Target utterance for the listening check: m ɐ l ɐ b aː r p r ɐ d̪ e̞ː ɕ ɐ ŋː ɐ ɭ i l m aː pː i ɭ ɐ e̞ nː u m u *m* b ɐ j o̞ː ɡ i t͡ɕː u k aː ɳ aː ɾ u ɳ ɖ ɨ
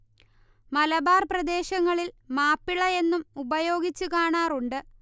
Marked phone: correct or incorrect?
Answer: incorrect